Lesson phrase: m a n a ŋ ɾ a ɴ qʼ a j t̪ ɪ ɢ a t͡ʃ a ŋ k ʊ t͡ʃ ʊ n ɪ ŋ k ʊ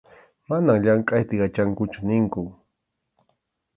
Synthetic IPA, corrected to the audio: m a n a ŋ ʎ a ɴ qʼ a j t̪ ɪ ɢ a t͡ʃ a ŋ k ʊ t͡ʃ ʊ n ɪ ŋ k ʊ